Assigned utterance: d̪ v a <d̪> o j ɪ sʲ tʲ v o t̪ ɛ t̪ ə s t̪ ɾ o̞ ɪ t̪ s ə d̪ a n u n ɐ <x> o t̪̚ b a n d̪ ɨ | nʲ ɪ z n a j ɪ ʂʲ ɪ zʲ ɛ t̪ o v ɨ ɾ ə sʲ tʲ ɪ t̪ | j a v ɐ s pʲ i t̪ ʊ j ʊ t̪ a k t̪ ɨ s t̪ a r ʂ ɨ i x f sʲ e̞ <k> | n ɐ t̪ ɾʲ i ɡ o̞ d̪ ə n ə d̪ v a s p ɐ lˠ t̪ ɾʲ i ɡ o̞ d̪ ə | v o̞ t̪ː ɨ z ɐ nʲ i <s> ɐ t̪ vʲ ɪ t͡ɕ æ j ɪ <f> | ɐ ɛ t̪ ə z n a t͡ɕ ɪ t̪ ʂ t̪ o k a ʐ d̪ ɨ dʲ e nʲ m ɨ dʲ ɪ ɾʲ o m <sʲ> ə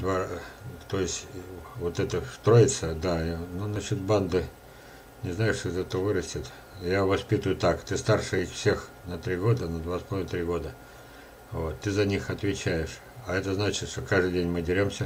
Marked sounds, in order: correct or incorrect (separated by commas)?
incorrect, incorrect, incorrect, incorrect, incorrect, correct